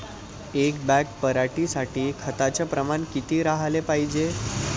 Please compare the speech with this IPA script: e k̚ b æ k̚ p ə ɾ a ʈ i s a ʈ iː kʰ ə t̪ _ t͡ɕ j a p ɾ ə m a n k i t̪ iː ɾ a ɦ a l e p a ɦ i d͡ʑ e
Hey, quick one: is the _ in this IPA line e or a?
a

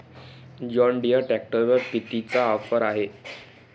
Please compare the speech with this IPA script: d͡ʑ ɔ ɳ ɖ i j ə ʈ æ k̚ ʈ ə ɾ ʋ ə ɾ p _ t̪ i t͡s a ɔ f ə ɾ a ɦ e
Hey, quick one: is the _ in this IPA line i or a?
i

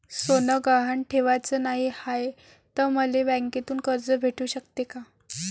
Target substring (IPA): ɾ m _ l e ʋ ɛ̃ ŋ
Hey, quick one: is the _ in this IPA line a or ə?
ə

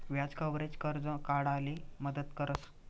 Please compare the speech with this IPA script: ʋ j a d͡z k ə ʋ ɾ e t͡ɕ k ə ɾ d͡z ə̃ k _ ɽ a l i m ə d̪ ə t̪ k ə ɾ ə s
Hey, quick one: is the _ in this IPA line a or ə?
a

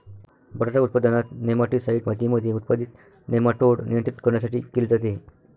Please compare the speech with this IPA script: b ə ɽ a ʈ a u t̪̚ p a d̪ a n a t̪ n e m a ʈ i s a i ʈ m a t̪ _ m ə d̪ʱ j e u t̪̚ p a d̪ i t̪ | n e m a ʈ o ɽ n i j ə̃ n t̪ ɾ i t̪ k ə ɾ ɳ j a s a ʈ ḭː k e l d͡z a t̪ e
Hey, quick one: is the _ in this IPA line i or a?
i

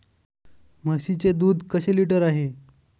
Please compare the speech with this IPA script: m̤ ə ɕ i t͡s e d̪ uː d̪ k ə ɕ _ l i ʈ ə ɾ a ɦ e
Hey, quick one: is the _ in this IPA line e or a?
e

